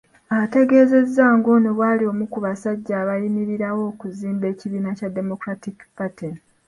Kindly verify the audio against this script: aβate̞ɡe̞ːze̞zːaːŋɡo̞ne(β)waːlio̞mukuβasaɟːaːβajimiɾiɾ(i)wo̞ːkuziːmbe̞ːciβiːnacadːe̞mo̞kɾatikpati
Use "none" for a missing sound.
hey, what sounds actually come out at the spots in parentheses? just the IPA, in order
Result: β, a

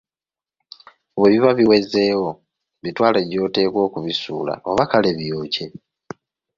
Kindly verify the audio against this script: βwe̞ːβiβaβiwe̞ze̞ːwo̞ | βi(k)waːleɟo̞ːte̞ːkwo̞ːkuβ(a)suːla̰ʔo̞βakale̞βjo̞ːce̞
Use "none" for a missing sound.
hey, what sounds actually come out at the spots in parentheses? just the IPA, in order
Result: t, i

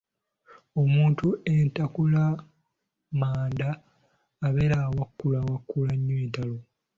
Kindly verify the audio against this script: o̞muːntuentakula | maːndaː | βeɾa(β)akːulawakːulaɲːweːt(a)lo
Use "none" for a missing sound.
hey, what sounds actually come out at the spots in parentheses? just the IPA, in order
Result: w, a

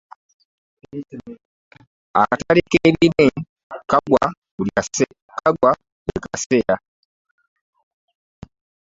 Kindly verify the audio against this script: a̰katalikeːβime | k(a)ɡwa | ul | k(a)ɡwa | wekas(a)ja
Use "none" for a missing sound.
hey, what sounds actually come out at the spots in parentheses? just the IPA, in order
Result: a, a, e

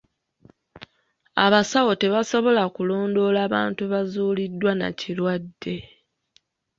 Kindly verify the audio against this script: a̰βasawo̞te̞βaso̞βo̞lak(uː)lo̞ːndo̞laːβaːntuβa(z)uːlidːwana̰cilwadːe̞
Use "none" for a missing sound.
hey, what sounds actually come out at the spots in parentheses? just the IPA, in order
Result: u, z

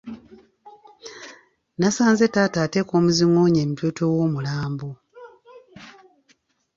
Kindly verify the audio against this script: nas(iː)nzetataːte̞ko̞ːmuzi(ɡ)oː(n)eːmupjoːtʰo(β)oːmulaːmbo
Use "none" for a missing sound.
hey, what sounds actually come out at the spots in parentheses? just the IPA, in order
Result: aː, ŋ, ɲ, w

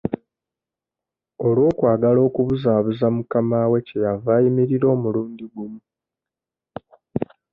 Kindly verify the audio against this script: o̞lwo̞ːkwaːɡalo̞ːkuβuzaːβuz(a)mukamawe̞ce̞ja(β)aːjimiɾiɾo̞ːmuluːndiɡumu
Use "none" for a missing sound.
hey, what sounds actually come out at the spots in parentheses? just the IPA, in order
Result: a, v

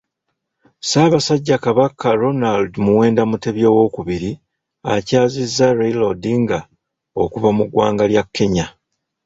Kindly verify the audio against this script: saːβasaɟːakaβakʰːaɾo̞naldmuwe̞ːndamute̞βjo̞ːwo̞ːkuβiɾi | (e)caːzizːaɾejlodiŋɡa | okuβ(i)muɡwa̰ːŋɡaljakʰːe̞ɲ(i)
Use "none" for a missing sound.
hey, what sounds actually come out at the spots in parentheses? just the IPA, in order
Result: a, a, a

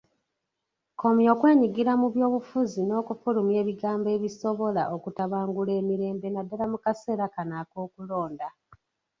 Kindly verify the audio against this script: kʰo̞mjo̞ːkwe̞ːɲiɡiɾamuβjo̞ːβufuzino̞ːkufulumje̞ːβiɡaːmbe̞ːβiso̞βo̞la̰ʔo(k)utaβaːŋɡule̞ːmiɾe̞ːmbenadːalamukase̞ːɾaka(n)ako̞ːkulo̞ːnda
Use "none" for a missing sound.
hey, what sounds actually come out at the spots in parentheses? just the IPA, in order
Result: k, n

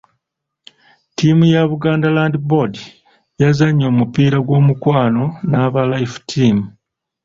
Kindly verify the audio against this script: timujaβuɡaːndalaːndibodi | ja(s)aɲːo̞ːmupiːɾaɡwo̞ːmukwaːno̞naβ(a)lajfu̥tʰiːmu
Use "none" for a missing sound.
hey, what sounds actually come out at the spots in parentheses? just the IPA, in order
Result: z, a

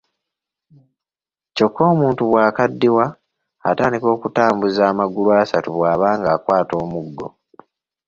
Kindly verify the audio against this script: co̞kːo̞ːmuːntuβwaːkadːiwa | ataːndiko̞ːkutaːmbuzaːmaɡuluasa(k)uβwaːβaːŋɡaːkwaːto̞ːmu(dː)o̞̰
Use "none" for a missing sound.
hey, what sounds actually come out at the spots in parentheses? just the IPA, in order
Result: t, ɡː

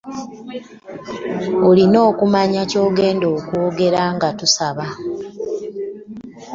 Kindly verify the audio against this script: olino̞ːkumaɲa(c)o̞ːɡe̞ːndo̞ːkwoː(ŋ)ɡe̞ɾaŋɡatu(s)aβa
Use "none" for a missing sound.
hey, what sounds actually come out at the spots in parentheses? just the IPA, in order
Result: c, none, s

